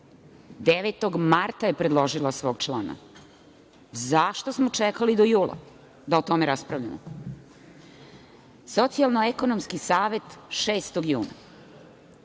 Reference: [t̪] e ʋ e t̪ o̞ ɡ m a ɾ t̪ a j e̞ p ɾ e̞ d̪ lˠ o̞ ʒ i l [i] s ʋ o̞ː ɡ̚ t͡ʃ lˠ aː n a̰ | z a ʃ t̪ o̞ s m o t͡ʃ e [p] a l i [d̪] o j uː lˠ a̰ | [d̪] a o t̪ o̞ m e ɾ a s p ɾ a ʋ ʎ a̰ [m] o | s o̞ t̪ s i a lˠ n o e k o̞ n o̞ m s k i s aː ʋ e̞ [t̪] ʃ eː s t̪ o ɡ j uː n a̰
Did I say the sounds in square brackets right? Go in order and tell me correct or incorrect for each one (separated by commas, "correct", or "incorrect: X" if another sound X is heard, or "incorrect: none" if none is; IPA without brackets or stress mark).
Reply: incorrect: d̪, incorrect: a, incorrect: k, correct, correct, correct, correct